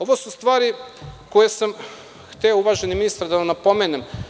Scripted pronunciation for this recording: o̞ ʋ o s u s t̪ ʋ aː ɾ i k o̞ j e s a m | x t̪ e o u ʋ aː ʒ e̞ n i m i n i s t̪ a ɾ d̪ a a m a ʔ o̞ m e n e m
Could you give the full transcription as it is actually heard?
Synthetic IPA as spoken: o̞ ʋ o s u s t̪ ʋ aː ɾ i k o̞ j e s a m | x t̪ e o u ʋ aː ʒ e̞ n i m i n i s t̪ a ɾ d̪ a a n a p o̞ m e n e m

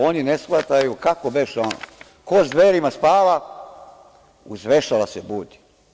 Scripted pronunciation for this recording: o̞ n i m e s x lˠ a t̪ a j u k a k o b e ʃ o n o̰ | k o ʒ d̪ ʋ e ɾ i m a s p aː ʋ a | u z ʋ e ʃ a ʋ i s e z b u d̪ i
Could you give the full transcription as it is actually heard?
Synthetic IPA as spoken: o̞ n i n e s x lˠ a t̪ a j u k a k o b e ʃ o n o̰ | k o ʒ d̪ ʋ e ɾ i m a s p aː ʋ a | u z ʋ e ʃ a ʋ a s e b u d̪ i

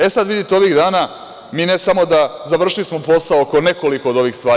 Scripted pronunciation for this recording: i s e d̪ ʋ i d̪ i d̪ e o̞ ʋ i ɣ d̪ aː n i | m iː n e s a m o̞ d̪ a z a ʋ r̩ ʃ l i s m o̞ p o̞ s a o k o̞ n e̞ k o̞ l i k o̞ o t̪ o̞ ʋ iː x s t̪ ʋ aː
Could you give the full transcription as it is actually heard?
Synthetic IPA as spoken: e s a d̪ ʋ i d̪ i t̪ e o̞ ʋ i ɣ d̪ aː n a | m iː n e s a m o̞ d̪ a z a ʋ r̩ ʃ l i s m o̞ p o̞ s a o k o̞ n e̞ k o̞ l i k o̞ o d̪ o̞ ʋ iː x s t̪ ʋ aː

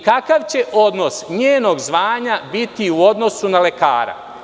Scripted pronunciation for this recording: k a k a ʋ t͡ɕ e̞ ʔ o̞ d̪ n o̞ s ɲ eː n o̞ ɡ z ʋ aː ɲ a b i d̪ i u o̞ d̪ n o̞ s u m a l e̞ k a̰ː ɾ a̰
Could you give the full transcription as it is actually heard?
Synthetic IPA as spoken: k a k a ʋ t͡ɕ e̞ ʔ o̞ d̪ n o̞ s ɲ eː n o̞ ɡ z ʋ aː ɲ a b i t̪ i u o̞ d̪ n o̞ s u n a l e̞ k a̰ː ɾ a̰

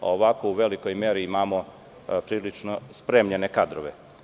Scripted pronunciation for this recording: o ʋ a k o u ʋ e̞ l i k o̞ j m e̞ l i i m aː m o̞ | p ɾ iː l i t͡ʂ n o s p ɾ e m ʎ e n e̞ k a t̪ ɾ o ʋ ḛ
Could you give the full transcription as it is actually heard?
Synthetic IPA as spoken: o ʋ a k o u ʋ e̞ l i k o̞ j m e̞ ɾ i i m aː m o̞ | p ɾ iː l i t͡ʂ n o s p ɾ e m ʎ e n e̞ k a d̪ ɾ o ʋ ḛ

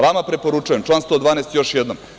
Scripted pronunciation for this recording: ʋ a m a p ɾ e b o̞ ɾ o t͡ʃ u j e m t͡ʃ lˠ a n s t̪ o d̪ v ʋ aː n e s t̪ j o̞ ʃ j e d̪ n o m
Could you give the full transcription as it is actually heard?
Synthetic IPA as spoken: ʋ a m a p ɾ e p o̞ ɾ u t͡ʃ u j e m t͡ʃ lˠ a n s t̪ o d̪ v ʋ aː n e s t̪ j o̞ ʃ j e d̪ n o m

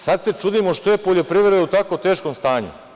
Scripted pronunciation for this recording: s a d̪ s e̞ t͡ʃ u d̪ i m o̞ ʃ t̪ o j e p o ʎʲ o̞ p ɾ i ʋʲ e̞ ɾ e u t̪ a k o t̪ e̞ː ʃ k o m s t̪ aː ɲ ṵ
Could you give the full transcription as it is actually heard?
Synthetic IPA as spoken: s a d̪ s e̞ t͡ʃ u d̪ i m o̞ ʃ t̪ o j e p o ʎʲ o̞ p ɾ i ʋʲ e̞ ɾ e u t̪ a k o t̪ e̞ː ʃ k o m s t̪ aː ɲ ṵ

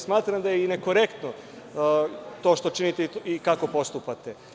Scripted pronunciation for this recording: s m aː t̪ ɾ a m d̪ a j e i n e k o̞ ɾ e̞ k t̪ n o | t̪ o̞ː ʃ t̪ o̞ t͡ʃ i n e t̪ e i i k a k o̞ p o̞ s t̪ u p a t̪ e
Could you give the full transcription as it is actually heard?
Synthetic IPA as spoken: s m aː t̪ ɾ a m d̪ a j e i n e k o̞ ɾ e̞ k t̪ n o | t̪ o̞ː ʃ t̪ o̞ t͡ʃ i n i t̪ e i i k a k o̞ p o̞ s t̪ u p a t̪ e

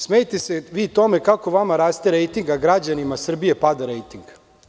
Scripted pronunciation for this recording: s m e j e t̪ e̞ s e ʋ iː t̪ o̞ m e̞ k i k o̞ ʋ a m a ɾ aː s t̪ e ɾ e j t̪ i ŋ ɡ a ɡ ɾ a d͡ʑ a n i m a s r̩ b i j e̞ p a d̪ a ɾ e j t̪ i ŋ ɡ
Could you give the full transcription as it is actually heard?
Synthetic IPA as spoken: s m e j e t̪ e̞ s e ʋ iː t̪ o̞ m e̞ k a k o̞ ʋ a m a ɾ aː s t̪ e ɾ e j t̪ i ŋ ɡ a ɡ ɾ a d͡ʑ a n i m a s r̩ b i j e̞ p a d̪ a ɾ e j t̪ i ŋ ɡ

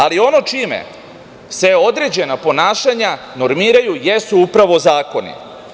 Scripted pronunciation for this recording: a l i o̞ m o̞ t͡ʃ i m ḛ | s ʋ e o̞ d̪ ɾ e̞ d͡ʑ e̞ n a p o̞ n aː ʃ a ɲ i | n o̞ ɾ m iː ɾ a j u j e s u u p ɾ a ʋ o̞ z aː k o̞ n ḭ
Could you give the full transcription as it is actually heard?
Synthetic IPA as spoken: a l i o̞ n o̞ t͡ʃ i m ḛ | s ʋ e o̞ d̪ ɾ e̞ d͡ʑ e̞ n a p o̞ n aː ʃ a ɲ a | n o̞ ɾ m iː ɾ a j u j e s u u p ɾ a ʋ o̞ z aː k o̞ n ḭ

